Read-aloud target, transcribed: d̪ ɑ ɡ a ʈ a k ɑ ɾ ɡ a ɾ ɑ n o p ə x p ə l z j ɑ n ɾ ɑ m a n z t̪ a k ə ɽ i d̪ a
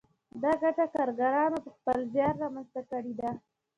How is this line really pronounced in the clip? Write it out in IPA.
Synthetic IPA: d̪ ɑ ɡ a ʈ a k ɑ ɾ ɡ a ɾ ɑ n o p ə x p ə l z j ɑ n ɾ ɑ m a n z t̪ a k ə ɽ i d̪ a